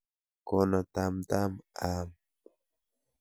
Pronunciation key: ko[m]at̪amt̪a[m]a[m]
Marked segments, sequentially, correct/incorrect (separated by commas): incorrect, correct, correct